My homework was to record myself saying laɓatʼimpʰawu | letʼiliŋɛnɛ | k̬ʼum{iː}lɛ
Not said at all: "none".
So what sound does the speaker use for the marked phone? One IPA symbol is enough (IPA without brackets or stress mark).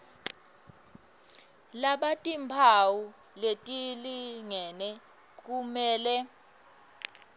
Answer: ɛː